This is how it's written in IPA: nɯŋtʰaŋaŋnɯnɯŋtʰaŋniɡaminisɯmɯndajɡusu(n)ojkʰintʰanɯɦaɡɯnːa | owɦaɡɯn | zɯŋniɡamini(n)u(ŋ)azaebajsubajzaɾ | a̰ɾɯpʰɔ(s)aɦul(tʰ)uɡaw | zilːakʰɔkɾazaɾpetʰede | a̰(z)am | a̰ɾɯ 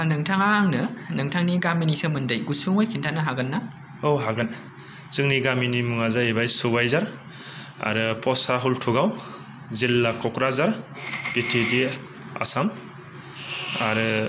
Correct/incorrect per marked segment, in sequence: incorrect, incorrect, correct, correct, correct, incorrect

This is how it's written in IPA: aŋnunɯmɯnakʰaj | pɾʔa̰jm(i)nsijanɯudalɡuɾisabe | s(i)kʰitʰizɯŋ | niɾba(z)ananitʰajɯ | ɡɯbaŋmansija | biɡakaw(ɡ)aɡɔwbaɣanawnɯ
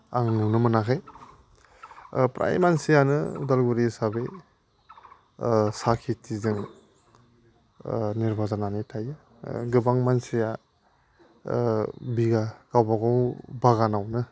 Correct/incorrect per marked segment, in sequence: incorrect, incorrect, correct, incorrect

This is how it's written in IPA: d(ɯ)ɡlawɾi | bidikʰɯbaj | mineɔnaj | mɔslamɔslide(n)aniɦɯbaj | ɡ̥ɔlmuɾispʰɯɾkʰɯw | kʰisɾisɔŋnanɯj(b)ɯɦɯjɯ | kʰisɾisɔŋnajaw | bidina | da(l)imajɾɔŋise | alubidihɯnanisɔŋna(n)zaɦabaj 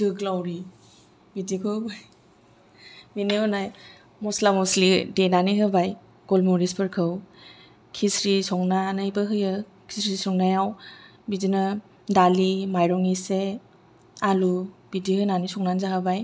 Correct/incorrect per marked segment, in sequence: correct, correct, correct, correct, correct

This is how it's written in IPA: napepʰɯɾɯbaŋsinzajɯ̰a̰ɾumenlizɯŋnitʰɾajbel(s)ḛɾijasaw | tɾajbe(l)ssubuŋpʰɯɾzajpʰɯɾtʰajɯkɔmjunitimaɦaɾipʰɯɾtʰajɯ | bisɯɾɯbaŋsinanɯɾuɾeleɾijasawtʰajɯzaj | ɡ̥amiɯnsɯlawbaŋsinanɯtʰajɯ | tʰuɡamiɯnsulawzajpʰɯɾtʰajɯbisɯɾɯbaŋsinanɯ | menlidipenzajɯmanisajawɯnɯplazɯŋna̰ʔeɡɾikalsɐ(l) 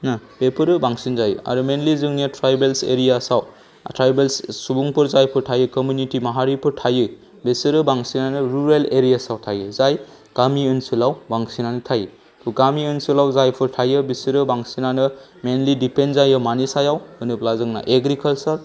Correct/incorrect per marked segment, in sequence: correct, correct, incorrect

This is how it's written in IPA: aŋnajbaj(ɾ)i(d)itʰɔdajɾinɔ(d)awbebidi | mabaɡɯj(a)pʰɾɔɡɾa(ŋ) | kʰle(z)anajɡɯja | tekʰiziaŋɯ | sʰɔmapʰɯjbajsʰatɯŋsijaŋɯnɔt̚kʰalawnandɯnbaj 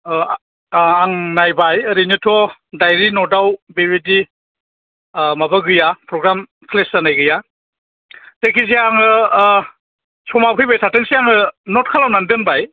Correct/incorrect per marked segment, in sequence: correct, incorrect, correct, correct, incorrect, incorrect

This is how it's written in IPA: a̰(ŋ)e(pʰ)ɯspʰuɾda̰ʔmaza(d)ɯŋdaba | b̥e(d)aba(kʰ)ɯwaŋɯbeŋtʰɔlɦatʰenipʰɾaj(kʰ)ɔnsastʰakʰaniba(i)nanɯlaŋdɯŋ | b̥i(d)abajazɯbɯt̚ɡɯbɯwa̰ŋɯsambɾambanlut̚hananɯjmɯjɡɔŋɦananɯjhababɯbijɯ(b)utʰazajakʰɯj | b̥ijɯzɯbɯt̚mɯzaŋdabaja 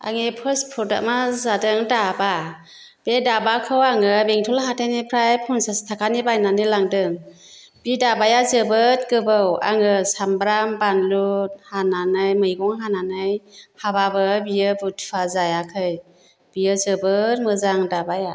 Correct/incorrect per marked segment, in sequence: correct, correct, correct, correct, correct, incorrect, incorrect, correct, correct

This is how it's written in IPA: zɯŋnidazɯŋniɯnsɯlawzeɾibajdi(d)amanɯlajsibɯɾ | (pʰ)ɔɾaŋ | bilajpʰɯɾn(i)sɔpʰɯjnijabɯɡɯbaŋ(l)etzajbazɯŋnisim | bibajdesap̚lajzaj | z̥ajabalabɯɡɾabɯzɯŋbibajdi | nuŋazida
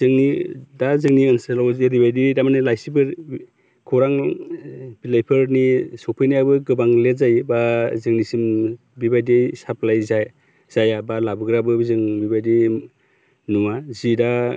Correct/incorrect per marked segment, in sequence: correct, incorrect, correct, correct

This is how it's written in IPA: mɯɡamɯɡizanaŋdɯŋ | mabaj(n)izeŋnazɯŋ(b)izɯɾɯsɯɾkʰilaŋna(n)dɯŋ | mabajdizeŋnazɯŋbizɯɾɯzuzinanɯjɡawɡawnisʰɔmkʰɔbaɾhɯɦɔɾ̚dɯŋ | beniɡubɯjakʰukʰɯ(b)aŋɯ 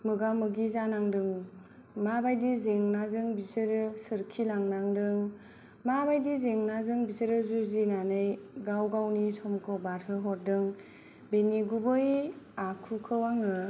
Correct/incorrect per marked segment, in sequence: incorrect, correct, incorrect, incorrect

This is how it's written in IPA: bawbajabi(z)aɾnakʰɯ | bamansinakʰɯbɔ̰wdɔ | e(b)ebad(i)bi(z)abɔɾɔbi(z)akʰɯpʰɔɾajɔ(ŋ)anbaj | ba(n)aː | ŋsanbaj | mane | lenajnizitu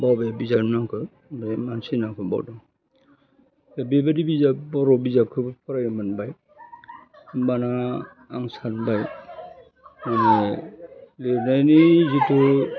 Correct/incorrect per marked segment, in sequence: correct, correct, correct, correct, correct, incorrect, correct

